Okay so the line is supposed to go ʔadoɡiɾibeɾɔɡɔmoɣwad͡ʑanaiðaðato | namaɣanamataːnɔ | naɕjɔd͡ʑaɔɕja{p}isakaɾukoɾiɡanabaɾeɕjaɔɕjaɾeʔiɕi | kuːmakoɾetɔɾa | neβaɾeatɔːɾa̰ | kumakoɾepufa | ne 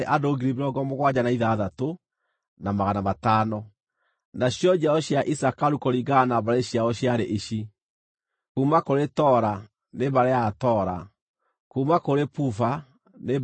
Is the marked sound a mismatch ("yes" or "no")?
yes